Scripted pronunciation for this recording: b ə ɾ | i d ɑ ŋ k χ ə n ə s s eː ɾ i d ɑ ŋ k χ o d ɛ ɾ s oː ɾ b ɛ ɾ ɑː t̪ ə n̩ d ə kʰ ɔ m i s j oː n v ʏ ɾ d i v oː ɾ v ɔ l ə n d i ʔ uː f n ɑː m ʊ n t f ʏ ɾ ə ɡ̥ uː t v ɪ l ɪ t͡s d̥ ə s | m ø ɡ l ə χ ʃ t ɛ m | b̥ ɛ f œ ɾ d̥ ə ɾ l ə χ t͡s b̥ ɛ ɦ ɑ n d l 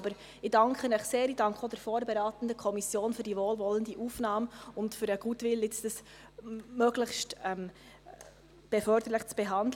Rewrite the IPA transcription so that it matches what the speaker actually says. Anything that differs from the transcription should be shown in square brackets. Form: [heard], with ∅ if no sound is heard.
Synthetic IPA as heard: b ə ɾ | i d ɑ ŋ k χ ə n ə [χ] s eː ɾ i d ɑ ŋ k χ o d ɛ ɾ [f] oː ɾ b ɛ ɾ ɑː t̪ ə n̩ d ə kʰ ɔ m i s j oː n [f] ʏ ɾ d i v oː [l] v ɔ l ə n d i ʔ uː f n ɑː m ʊ n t f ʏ ɾ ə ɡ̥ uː t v ɪ l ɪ t͡s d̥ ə s | m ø ɡ l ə χ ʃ t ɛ m | b̥ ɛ f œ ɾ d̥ ə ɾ l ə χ t͡s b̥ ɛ ɦ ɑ n d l